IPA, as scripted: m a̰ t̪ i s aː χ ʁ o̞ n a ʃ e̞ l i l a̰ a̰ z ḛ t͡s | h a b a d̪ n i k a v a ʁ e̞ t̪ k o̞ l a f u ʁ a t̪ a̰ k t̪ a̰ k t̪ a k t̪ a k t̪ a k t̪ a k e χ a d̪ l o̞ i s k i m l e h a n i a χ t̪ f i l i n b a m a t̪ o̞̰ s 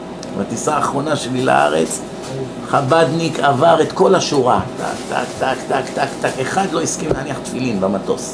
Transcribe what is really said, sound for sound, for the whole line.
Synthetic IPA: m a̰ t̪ i s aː χ ʁ o̞ n a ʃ e̞ l i l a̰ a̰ ʁ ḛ t͡s | χ a b a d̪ n i k a v a ʁ e̞ t̪ k o̞ l a ʃ u ʁ a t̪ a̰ k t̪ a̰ k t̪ a k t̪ a k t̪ a k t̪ a k e χ a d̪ l o̞ i s k i m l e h a n i a χ t̪ f i l i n b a m a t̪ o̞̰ s